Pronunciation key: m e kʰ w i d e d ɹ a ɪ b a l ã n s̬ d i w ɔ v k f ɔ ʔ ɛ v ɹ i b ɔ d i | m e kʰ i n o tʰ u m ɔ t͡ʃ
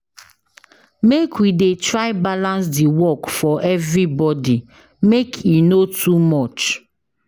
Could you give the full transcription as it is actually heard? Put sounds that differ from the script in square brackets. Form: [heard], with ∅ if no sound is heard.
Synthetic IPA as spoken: m e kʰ w i d e [t] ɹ a ɪ b a l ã n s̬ d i w ɔ [∅] k f ɔ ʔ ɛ v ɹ i b ɔ d i | m e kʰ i n o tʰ u m ɔ t͡ʃ